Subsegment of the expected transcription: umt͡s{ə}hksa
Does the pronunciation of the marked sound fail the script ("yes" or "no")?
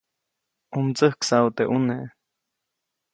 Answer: no